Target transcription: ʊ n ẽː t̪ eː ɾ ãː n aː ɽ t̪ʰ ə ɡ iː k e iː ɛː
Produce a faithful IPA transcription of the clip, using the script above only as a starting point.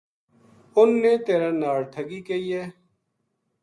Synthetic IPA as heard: ʊ nː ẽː t̪ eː ɾ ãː n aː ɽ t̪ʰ ə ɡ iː k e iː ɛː

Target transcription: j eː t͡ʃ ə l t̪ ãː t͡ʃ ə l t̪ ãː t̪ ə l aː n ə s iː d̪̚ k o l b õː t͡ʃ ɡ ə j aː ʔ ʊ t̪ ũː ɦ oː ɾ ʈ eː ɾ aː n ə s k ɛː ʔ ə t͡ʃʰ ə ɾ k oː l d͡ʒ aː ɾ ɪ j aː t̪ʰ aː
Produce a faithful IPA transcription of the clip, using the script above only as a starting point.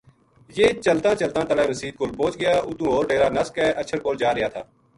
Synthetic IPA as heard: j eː t͡ʃ ə l t̪ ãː t͡ʃ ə l t̪ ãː t̪ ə l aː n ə s iː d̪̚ k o l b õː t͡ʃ ɡ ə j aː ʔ ʊ t̪ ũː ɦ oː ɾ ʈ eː ɾ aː n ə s k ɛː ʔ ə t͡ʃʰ ə ɾ k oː l d͡ʒ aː ɾ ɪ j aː t̪ʰ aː

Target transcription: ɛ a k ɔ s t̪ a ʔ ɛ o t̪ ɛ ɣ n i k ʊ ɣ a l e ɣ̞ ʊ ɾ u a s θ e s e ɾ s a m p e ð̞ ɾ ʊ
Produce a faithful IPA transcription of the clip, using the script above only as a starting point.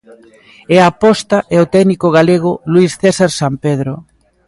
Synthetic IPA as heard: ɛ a p ɔ s t̪ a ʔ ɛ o t̪ ɛ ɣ n i k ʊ ɣ a l e ɣ̞ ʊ l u i s θ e s a ɾ s a m p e ð̞ ɾ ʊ

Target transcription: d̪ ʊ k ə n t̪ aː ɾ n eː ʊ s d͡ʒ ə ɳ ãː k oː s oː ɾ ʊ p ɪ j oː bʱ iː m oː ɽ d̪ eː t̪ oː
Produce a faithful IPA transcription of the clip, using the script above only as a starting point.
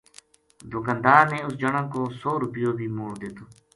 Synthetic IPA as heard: d̪ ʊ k ə n d̪ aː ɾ n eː ʊ s d͡ʒ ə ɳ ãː k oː s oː ɾ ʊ p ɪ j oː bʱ iː m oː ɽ d̪ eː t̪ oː

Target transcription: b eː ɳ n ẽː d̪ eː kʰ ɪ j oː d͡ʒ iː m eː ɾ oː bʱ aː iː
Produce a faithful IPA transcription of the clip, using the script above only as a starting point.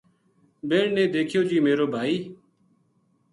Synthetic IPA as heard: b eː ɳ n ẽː d̪ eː kʰ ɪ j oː d͡ʒ iː m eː ɾ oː bʱ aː iː

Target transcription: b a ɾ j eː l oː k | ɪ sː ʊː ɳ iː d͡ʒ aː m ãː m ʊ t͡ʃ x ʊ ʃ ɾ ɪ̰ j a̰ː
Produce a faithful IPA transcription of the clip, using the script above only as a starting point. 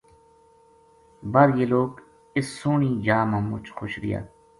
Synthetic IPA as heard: b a ɾ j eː l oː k | ɪ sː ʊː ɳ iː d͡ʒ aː m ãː m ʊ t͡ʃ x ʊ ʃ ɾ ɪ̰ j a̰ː

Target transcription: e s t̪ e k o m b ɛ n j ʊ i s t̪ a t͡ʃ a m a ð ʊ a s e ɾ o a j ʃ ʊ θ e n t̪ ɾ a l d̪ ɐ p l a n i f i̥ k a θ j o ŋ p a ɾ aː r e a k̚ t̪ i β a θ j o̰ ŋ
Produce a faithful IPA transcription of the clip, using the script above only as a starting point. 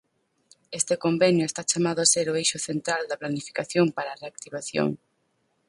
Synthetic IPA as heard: e s t̪ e k o m b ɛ n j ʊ e s t̪ a t͡ʃ a m a ð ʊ a s e ɾ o e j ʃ ʊ θ e n t̪ ɾ a l d̪ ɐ p l a n i f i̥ k a θ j o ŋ p a ɾ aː r e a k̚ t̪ i β a θ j o̰ ŋ

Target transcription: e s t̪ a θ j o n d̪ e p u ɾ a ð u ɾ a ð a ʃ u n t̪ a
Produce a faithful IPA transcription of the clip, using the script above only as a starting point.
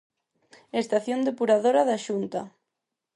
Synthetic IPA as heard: e s t̪ a θ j o n d̪ e p u ɾ a ð o ɾ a ð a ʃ u n t̪ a

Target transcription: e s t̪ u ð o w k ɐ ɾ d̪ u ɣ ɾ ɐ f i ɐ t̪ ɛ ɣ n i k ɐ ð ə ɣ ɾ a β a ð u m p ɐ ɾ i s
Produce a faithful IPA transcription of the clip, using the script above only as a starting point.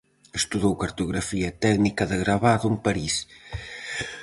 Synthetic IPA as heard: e s t̪ u ð o w k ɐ ɾ t̪ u ɣ ɾ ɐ f i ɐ t̪ ɛ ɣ n i k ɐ ð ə ɣ ɾ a β a ð u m p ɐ ɾ i s

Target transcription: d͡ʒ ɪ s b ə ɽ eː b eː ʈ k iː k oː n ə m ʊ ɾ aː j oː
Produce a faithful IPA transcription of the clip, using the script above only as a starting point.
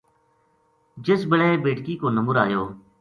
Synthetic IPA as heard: d͡ʒ ɪ s b ə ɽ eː b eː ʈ k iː k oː n ə m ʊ ɾ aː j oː

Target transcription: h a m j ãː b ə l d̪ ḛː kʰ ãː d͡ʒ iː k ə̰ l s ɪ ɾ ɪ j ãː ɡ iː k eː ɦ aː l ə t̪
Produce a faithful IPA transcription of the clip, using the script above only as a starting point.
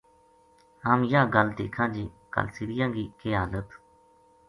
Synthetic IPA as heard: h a m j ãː ɡ ə l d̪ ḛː kʰ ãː d͡ʒ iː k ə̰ l s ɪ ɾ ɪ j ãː ɡ iː k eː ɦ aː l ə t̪

